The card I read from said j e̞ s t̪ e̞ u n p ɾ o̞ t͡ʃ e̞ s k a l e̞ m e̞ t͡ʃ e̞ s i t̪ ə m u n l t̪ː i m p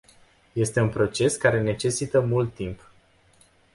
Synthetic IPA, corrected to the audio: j e̞ s t̪ e̞ u n p ɾ o̞ t͡ʃ e̞ s k a ɾ e̞ n e̞ t͡ʃ e̞ s i t̪ ə m u l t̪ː i m p